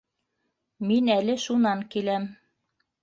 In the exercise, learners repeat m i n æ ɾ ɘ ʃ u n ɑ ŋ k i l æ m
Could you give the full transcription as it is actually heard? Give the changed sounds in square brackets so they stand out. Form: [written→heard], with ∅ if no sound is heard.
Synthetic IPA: m i n æ [ɾ→l] ɘ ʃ u n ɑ ŋ k i l æ m